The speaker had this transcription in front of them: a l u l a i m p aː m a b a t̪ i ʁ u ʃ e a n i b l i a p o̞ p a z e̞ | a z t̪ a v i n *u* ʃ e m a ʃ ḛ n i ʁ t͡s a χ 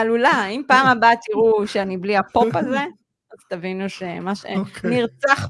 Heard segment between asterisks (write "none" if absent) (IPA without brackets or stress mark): u